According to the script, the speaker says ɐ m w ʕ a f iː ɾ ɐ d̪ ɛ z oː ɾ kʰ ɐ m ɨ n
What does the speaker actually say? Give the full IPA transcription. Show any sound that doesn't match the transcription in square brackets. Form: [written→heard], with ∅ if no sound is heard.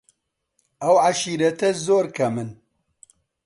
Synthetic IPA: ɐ [m→∅] w ʕ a [f→ʃ] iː ɾ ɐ [d̪→t̪] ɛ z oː ɾ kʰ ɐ m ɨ n

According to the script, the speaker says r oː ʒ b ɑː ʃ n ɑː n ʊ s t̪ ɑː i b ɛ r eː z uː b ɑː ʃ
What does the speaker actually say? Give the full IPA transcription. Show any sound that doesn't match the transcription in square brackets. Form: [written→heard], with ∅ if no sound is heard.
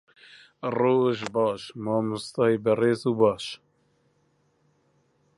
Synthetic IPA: r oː ʒ b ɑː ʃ [n→m] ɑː [n→m] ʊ s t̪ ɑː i b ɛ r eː z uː b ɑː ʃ

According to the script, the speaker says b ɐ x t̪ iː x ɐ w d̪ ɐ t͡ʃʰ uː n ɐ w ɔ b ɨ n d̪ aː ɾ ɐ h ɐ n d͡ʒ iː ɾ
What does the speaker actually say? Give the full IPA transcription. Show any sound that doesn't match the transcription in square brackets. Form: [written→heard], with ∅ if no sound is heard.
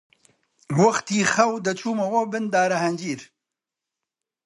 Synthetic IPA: [b→w] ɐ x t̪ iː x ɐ w d̪ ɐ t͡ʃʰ uː [n→m] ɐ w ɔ b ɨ n d̪ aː ɾ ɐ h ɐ n d͡ʒ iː ɾ

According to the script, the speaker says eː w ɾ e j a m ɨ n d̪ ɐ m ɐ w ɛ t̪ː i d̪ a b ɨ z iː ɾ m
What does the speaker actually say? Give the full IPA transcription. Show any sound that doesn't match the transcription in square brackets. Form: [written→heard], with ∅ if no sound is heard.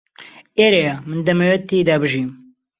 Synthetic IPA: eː [w→∅] ɾ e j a m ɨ n d̪ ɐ m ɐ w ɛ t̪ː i d̪ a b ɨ [z→ʒ] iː [ɾ→∅] m

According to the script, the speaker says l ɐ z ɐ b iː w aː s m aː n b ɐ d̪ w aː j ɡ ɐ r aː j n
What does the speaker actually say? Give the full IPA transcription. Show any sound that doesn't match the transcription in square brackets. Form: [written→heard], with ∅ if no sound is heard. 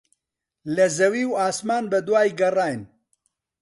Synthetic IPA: l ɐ z ɐ [b→w] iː w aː s m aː n b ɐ d̪ w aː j ɡ ɐ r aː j n

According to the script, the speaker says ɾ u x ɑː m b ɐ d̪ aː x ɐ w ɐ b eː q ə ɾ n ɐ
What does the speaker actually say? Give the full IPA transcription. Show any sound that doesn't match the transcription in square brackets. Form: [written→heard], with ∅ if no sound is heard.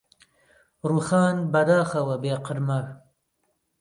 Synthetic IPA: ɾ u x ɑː [m→n] b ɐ d̪ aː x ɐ w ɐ b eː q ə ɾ [n→m] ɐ

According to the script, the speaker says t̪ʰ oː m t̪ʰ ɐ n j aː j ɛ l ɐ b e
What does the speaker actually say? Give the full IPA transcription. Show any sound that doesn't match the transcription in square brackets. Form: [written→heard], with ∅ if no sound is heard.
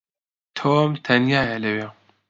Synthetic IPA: t̪ʰ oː m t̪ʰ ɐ n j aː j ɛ l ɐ [b→w] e

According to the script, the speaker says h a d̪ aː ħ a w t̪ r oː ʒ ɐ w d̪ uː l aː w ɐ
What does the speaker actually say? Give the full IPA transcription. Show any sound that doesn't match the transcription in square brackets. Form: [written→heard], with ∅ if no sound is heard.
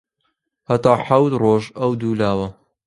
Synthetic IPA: h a [d̪→t̪] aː ħ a w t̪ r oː ʒ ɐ w d̪ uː l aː w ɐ

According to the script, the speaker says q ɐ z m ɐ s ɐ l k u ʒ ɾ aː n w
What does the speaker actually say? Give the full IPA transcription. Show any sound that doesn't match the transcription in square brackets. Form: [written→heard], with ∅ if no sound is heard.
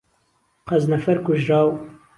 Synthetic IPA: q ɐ z [m→n] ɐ [s→f] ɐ [l→ɾ] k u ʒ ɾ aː [n→∅] w

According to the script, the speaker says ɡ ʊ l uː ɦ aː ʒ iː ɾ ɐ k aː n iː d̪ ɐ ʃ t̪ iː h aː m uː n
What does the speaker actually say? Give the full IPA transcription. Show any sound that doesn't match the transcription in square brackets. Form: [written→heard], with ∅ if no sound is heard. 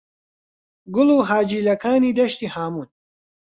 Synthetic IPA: ɡ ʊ l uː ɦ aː [ʒ→d͡ʒ] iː [ɾ→l] ɐ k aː n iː d̪ ɐ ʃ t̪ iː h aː m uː n

